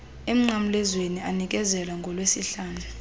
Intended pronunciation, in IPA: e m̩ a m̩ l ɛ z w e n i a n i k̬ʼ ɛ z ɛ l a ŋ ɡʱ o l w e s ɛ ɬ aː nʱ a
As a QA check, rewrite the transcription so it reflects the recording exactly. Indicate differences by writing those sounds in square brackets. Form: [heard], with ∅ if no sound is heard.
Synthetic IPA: e m̩ a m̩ l ɛ z w e n i a n i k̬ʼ ɛ z ɛ l a ŋ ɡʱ [ɔ] l w e s [i] ɬ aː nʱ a